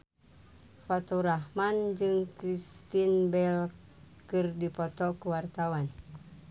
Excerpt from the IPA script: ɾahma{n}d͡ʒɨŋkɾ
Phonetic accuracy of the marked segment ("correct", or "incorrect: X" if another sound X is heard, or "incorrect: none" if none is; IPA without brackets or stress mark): correct